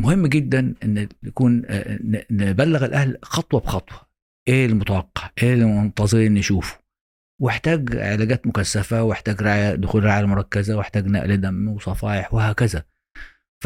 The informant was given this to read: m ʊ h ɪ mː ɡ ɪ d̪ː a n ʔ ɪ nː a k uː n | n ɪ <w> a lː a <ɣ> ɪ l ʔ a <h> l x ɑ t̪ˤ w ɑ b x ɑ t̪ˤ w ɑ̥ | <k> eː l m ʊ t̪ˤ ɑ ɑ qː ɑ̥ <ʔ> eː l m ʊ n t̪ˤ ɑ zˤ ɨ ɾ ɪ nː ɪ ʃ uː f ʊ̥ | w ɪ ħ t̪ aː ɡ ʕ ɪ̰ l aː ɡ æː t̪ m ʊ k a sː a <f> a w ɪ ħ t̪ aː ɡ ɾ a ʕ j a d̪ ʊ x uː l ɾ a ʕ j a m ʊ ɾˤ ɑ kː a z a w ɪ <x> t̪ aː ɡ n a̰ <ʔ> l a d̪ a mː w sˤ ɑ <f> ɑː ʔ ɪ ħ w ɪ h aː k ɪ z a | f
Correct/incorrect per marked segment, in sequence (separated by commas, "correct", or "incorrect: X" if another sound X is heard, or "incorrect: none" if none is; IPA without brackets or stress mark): incorrect: b, correct, correct, incorrect: ʔ, correct, correct, incorrect: ħ, correct, correct